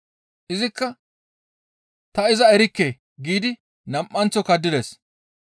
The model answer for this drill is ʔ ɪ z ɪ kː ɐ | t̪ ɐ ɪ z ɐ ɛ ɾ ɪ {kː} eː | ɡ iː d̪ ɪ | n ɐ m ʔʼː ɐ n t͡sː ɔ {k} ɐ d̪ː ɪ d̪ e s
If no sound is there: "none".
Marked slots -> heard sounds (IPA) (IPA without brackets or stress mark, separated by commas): kː, k